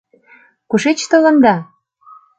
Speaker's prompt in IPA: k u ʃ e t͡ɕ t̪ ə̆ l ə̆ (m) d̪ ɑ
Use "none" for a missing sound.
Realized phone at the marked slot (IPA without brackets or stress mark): n